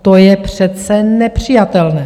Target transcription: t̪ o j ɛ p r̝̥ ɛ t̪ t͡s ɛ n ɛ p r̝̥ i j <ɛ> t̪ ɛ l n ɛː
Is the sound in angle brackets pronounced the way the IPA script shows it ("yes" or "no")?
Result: no